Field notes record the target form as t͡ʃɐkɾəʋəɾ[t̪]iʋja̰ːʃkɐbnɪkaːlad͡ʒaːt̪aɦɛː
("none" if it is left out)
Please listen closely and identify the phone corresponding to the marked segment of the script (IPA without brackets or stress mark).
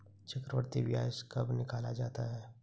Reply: t̪